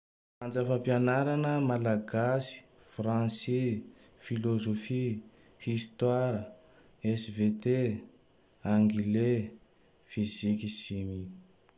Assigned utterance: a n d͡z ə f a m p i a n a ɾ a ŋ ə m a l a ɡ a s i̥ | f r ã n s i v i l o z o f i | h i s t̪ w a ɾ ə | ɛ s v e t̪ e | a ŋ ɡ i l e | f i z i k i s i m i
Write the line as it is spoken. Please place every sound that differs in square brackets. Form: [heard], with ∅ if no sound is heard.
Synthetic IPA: a n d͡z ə f a m p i a n a ɾ a [n] ə m a l a ɡ a s i̥ | f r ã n s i [f] i l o z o f i | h i s t̪ w a ɾ ə | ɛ s v e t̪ e | a ŋ ɡ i l e | f i z i k i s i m i